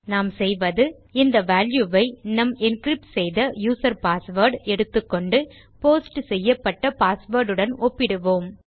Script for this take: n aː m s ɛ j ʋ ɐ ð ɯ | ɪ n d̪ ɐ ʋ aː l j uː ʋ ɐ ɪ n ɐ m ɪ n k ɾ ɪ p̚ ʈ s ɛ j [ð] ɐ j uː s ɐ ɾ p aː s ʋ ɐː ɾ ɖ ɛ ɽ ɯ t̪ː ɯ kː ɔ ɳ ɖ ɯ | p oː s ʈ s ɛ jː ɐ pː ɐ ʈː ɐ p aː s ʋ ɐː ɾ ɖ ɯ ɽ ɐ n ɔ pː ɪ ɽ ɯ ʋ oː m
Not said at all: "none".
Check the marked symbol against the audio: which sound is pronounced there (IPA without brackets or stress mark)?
ð